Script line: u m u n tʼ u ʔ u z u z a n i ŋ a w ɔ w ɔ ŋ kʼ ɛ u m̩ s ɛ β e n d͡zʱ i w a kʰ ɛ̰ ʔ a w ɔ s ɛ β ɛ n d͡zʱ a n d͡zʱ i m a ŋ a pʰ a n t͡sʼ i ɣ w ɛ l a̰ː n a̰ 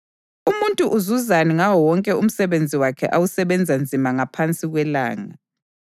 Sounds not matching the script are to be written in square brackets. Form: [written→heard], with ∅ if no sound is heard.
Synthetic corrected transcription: u m u n tʼ u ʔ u z u z a n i ŋ a w ɔ w ɔ ŋ kʼ ɛ u m̩ s ɛ β e n d͡zʱ i w a kʰ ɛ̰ ʔ a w [ɔ→u] s ɛ β ɛ n d͡zʱ a n d͡zʱ i m a ŋ a pʰ a n t͡sʼ i ɣ w ɛ l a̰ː [n→ŋ] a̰